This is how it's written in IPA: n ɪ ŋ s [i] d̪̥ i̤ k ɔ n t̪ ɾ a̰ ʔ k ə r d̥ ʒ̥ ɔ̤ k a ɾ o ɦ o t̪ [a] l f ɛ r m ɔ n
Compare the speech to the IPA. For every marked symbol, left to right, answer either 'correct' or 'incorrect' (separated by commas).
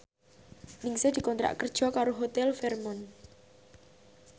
incorrect, incorrect